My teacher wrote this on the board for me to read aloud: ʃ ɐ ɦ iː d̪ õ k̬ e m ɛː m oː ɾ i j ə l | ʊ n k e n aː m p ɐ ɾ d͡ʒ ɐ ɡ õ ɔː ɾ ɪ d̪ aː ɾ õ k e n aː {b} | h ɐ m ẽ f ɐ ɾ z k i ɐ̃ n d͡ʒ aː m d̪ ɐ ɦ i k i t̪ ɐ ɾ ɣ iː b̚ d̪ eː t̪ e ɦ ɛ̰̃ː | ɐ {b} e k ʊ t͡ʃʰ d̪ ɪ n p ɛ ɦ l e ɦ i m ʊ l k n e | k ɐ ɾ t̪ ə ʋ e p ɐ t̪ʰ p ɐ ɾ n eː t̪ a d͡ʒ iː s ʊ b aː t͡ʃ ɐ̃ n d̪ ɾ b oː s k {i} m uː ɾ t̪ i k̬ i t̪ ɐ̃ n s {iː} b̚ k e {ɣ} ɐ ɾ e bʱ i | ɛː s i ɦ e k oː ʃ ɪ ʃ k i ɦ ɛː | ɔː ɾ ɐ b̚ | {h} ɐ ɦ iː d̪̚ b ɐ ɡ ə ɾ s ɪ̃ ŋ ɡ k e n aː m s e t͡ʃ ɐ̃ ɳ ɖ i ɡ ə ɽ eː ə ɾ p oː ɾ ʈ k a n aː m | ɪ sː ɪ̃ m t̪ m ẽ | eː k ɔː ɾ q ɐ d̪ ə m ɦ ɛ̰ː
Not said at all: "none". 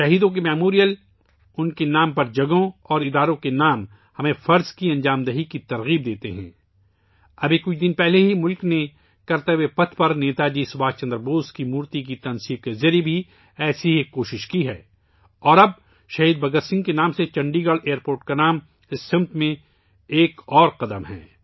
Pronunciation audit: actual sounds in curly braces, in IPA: m, b, i, iː, z, ʃ

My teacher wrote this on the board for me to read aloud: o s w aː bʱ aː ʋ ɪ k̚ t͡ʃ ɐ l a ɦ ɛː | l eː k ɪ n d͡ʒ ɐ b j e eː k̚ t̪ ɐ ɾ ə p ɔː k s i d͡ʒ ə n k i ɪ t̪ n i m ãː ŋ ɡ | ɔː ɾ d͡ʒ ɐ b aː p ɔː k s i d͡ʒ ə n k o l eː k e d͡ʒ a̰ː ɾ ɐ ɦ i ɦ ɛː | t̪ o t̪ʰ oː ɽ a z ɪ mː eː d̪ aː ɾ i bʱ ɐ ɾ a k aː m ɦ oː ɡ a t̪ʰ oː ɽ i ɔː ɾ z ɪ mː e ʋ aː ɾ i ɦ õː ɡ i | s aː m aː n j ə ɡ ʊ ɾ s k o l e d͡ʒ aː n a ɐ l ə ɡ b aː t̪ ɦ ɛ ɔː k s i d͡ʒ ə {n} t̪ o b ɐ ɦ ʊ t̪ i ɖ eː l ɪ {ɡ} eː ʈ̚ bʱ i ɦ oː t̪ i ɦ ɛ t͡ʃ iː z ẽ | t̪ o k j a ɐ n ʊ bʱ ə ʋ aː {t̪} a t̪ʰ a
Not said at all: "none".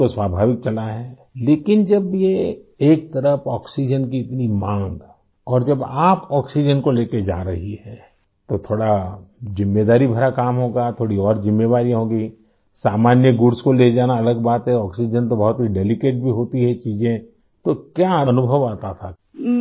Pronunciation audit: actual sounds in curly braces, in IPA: n, k, t̪

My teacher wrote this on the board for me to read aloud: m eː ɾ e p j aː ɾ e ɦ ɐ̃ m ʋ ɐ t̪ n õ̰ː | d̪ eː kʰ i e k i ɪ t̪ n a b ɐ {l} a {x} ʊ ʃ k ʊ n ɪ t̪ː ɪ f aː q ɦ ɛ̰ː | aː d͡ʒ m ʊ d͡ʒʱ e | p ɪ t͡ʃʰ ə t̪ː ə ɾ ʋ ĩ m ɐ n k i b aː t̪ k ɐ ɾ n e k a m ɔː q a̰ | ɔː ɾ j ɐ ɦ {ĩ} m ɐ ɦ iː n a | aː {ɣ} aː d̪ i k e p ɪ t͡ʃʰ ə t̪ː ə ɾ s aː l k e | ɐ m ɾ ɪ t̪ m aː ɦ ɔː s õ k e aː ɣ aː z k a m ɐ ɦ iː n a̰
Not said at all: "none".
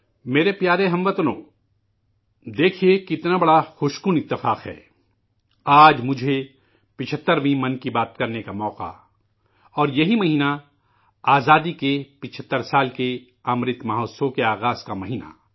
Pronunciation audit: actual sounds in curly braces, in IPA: ɽ, x, i, z

